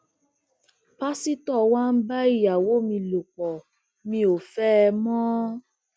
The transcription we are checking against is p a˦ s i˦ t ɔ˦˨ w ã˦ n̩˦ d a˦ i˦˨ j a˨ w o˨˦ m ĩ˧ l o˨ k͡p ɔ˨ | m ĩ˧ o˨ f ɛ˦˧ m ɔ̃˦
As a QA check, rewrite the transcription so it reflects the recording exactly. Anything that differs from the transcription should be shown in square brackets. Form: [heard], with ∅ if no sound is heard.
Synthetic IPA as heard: p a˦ s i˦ t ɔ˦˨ w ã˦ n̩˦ [b] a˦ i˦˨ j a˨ w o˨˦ m ĩ˧ l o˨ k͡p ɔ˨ | m ĩ˧ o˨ f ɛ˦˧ m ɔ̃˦